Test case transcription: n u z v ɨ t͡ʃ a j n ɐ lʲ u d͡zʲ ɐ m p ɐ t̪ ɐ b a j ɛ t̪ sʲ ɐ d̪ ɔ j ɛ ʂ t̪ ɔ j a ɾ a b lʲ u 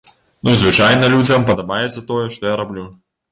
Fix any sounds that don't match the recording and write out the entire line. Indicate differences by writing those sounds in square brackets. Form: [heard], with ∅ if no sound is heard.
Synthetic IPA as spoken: n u z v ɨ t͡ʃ a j n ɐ lʲ u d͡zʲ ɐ m p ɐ [d̪] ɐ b a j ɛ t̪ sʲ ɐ [t̪] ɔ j ɛ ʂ t̪ ɔ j a ɾ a b lʲ u